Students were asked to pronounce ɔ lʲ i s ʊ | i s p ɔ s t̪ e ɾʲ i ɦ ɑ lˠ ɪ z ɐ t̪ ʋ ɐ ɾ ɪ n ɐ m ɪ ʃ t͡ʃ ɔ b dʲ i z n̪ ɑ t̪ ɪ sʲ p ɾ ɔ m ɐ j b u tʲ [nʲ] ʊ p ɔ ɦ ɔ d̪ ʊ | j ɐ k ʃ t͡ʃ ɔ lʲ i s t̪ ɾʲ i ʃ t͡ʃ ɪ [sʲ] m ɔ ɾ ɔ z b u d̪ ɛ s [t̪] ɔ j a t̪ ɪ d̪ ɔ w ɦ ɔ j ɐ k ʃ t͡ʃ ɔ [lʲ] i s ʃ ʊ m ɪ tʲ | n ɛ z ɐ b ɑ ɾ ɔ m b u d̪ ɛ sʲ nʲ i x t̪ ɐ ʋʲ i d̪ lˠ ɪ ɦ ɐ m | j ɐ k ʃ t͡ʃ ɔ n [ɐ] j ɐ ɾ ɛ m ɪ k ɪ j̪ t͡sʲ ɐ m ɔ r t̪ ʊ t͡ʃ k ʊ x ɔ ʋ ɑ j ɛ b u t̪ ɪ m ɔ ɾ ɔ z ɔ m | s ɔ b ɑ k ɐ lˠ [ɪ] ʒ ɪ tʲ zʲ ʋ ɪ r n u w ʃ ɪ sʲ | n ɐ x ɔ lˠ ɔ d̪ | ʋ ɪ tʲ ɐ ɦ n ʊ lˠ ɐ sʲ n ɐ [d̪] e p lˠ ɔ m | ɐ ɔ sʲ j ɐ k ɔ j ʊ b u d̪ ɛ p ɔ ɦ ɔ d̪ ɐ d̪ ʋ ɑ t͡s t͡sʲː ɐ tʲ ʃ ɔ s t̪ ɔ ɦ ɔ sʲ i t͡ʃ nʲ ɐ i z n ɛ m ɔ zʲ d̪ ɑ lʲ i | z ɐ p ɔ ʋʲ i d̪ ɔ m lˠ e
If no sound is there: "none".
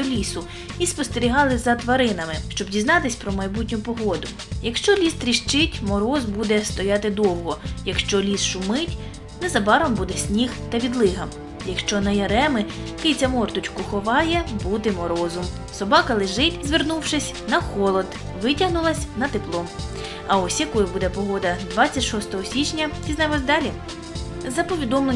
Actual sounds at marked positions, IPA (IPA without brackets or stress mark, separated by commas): nʲ, tʲ, t̪, lʲ, ɐ, ɪ, t̪